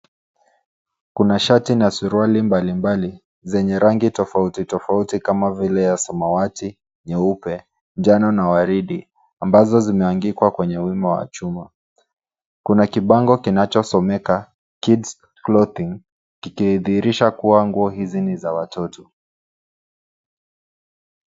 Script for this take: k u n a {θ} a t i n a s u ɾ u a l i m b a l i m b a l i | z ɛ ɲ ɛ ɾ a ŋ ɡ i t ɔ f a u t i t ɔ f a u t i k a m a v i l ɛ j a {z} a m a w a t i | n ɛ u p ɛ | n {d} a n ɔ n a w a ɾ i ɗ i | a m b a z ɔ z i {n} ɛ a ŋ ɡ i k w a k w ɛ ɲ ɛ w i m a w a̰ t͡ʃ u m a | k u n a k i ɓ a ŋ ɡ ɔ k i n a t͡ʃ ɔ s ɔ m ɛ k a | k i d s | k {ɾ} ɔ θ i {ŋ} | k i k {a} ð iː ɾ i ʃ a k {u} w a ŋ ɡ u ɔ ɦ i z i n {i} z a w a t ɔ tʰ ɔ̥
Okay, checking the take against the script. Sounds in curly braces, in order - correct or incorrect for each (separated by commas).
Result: incorrect, incorrect, incorrect, incorrect, incorrect, correct, incorrect, correct, correct